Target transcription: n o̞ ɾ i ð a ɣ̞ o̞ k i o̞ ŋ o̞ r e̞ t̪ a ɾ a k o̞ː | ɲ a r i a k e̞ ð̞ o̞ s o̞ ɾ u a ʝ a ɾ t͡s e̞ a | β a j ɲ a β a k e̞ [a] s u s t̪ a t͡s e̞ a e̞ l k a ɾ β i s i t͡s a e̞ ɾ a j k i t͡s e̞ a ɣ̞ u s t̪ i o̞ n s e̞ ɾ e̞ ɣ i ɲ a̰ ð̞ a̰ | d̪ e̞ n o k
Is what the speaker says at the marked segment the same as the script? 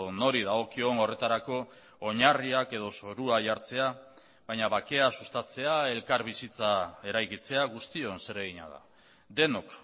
yes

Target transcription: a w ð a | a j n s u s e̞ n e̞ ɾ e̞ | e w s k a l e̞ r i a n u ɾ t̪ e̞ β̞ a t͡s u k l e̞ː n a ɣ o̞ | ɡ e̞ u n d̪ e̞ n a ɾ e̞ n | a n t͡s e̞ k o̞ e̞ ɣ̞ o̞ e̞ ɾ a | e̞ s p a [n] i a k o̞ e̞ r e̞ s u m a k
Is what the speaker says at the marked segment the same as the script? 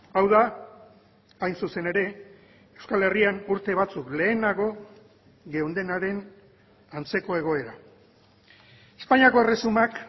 no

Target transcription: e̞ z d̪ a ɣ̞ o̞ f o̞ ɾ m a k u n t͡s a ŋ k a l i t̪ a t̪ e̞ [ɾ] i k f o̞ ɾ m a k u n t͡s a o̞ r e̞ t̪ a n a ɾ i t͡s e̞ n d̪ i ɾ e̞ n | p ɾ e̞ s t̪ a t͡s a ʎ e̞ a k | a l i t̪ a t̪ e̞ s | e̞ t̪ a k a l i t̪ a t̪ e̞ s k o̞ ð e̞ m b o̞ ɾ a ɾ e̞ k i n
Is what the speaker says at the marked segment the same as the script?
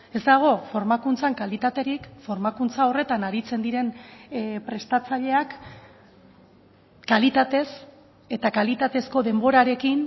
yes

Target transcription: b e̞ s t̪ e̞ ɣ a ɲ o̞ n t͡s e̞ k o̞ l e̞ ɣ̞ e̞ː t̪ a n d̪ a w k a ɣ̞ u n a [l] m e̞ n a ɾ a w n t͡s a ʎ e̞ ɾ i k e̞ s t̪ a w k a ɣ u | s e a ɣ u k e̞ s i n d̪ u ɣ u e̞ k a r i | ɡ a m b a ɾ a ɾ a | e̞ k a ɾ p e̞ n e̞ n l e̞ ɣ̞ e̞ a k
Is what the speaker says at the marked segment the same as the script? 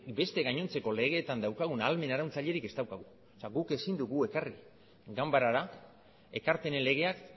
yes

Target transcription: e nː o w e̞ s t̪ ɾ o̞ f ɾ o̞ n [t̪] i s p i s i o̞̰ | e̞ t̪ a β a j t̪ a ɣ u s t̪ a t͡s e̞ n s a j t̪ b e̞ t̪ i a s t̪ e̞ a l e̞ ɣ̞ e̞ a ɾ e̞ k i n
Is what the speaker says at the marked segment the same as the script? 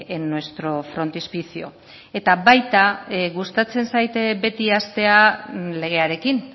yes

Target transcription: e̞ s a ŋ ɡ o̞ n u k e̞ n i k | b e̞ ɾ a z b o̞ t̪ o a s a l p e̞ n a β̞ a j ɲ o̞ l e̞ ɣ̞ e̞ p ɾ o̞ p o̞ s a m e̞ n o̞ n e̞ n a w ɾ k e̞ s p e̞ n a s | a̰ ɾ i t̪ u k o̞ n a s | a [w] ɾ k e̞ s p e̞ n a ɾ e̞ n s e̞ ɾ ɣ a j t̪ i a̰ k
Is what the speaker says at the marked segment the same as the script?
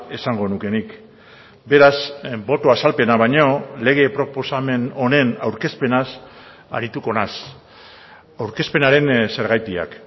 yes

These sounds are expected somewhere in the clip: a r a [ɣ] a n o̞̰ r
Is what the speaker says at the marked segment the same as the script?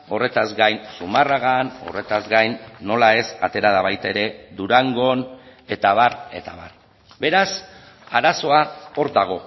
yes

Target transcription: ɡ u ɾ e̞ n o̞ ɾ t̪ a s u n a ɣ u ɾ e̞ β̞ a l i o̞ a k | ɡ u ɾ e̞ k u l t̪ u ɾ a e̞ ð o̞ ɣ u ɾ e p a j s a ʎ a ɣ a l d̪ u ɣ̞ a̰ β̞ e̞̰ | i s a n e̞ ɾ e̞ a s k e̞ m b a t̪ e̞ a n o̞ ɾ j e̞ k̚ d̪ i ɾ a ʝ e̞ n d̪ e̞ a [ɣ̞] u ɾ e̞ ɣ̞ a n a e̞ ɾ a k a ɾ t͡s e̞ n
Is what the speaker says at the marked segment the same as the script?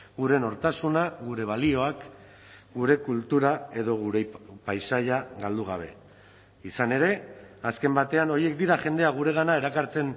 yes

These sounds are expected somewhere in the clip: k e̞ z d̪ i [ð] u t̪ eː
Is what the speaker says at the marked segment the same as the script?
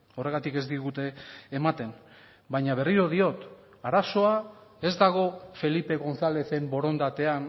no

